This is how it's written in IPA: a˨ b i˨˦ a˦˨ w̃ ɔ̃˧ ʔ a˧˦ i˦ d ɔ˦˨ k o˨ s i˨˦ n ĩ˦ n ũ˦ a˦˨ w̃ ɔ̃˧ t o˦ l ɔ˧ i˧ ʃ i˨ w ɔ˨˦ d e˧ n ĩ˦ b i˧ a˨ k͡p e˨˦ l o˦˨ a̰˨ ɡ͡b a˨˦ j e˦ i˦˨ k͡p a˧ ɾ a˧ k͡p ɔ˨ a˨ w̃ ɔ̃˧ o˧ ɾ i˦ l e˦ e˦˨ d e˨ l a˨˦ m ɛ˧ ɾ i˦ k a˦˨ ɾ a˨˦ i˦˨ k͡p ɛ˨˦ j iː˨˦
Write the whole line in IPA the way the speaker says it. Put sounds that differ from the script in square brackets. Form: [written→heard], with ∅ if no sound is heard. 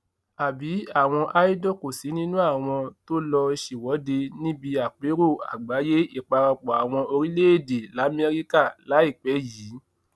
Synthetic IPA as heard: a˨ b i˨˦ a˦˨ w̃ ɔ̃˧ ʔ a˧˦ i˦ d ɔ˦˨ k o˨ s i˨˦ n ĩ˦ n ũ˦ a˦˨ w̃ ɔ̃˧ t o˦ l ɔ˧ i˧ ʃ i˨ w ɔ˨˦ d e˧ n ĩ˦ b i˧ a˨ k͡p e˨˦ [l→ɾ] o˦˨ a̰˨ ɡ͡b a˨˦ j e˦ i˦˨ k͡p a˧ ɾ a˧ k͡p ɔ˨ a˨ w̃ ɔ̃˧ o˧ ɾ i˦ l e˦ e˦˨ d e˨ l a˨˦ m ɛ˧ ɾ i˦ k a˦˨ [ɾ→l] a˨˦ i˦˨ k͡p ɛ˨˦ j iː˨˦